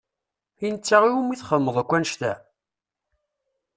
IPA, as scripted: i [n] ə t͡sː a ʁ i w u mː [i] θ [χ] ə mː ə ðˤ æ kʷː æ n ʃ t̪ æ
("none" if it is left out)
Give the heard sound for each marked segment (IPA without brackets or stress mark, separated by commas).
n, i, χ